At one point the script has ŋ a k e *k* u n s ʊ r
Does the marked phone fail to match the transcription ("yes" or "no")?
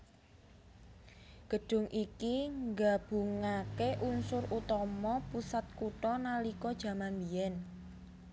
yes